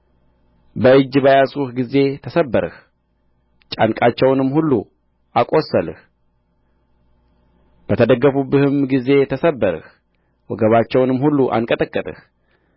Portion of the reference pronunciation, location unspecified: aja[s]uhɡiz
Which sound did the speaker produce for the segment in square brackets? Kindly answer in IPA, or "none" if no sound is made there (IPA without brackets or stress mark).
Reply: s